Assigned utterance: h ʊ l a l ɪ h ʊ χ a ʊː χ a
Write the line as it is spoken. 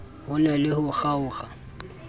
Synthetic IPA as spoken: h ʊ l ɛ l ɪ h ʊ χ a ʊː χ a

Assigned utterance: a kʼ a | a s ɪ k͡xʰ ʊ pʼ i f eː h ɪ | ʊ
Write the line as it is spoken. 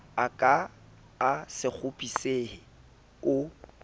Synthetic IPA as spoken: a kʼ a | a s ɪ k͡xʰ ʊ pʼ i s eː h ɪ | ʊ

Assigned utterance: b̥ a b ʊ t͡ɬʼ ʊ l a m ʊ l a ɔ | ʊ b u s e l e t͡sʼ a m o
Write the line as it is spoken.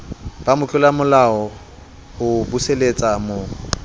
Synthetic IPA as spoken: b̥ a m ʊ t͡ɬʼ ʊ l a m ʊ l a ɔ | ʊ b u s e l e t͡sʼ a m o

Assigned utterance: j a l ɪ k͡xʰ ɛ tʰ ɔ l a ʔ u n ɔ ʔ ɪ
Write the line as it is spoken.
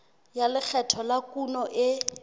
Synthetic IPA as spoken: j a l ɪ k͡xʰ ɛ tʰ ɔ l a k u n ɔ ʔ ɪ

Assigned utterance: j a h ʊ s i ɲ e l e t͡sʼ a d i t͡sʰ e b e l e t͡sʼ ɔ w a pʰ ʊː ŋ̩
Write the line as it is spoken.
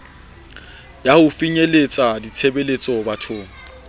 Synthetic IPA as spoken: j a h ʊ f i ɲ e l e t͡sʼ a d i t͡sʰ e b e l e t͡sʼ ɔ b a tʰ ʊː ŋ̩

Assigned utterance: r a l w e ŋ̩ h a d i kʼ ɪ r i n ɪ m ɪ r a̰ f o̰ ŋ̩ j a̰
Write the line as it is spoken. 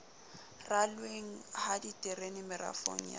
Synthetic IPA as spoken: r a l w e ŋ̩ h a d i tʼ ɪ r e n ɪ m ɪ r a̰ f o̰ ŋ̩ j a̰

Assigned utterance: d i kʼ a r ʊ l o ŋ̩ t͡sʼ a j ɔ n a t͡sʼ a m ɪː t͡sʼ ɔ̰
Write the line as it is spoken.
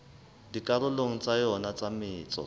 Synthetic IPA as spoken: d i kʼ a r ʊ l o ŋ̩ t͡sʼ a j ɔ n a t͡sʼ a m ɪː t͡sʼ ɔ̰

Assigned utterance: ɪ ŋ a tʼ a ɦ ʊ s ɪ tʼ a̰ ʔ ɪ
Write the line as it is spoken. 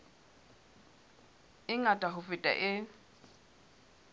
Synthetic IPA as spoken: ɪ ŋ a tʼ a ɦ ʊ f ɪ tʼ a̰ ʔ ɪ

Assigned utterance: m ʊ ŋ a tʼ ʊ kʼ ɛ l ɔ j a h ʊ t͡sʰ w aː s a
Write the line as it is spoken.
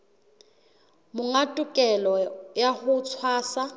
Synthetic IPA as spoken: m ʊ ŋ a tʼ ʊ kʼ ɛ l ɔ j a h ʊ t͡sʰ w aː s a

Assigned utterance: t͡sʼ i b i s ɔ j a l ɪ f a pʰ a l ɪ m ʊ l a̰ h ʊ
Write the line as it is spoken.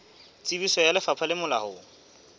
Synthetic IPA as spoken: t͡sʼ i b i s ɔ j a l ɪ f a pʰ a l ɪ m ʊ l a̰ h ʊ

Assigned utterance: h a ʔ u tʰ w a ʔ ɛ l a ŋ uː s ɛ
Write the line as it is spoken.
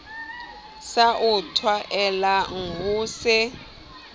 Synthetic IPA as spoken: s a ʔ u tʰ w a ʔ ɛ l a ŋ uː s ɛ

